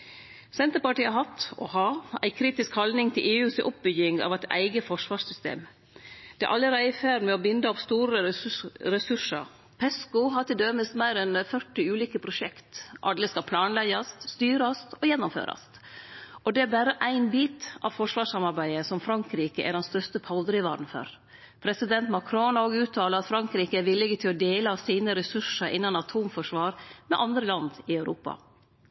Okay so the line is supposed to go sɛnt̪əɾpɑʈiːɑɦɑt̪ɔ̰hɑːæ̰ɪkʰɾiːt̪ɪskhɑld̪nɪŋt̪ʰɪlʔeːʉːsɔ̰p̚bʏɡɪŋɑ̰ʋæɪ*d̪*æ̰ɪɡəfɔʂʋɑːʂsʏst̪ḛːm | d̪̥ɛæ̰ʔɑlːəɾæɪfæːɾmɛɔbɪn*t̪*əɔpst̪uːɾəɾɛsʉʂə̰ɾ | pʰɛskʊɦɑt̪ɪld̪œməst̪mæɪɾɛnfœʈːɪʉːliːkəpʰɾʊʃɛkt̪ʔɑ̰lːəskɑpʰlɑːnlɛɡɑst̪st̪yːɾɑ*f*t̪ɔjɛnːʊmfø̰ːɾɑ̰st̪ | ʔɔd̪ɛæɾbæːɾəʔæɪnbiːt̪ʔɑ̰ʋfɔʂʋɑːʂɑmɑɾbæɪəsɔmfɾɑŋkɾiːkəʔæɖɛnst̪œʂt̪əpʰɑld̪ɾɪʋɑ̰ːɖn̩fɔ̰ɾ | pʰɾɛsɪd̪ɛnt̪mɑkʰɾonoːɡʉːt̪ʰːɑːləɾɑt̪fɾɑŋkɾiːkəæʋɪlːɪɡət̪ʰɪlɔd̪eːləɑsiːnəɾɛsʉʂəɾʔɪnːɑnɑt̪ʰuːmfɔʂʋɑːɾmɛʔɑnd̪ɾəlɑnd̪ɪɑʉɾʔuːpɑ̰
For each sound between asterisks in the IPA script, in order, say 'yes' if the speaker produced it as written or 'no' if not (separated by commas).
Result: no, no, no